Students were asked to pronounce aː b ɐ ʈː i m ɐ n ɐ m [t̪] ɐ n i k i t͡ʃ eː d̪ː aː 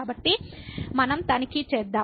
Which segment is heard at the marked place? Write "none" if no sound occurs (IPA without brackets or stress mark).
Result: t̪